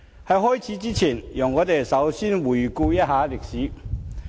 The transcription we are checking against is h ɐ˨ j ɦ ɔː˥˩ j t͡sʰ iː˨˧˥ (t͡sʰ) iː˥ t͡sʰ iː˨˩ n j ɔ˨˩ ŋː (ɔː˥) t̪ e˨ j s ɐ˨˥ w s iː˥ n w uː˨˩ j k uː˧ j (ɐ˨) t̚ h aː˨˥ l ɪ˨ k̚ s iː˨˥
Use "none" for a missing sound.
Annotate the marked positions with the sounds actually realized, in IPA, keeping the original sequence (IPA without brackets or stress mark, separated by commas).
t͡s, ɔː˨˧, ɐ˥